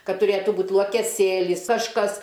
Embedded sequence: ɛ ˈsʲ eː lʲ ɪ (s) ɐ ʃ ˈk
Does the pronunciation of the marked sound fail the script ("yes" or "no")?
no